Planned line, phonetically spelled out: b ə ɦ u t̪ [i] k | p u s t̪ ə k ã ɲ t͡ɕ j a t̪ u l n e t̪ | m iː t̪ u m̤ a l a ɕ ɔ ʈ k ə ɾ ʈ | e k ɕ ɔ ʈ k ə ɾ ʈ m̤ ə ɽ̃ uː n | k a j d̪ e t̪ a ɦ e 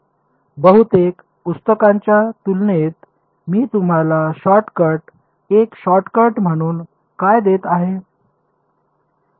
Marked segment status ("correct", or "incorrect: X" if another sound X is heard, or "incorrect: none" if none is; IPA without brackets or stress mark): incorrect: e